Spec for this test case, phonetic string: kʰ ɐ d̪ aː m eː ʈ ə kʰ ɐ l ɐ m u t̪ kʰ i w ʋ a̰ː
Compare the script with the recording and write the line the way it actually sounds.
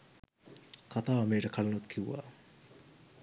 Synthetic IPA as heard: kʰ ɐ t̪ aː m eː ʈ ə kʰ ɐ l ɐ n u t̪ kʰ i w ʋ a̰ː